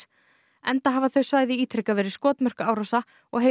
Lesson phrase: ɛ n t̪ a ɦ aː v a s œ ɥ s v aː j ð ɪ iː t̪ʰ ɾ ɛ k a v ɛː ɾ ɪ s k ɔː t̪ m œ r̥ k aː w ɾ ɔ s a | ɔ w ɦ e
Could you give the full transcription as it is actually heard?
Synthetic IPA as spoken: ɛ n t̪ a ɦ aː v a θ œ ɥ s v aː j ð ɪ iː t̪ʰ ɾ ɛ k a v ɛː ɾ ɪ s k ɔː t̪ m œ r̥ k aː w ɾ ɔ s a | ɔ ɣ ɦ e